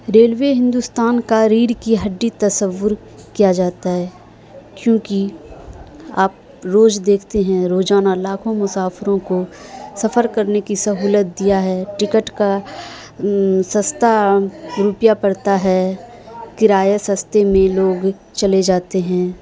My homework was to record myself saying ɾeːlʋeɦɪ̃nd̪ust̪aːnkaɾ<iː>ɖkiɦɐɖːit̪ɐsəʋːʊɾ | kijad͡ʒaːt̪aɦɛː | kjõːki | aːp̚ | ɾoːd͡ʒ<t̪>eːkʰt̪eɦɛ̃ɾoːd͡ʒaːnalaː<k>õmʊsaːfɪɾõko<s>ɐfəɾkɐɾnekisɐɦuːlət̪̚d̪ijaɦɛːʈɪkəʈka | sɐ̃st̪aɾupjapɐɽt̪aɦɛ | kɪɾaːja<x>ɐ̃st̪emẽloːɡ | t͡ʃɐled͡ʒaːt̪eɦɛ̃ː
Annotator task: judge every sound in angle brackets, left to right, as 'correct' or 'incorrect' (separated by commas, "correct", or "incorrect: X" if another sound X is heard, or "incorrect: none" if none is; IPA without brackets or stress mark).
correct, incorrect: d̪, incorrect: kʰ, correct, incorrect: s